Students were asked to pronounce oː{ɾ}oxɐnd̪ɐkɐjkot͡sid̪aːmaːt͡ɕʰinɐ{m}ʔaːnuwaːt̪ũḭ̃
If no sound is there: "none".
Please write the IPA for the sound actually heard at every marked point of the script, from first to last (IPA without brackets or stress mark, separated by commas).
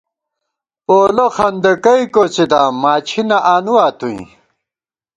l, none